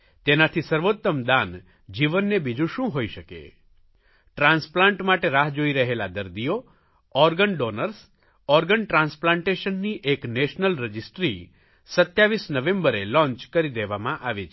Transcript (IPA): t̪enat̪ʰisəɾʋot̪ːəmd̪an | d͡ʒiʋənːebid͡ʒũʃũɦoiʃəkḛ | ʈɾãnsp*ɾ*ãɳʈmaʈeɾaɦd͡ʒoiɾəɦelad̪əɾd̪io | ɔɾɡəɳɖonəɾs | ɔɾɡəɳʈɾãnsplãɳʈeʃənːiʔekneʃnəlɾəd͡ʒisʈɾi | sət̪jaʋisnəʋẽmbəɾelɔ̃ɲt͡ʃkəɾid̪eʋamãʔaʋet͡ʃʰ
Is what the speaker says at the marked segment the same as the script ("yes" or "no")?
no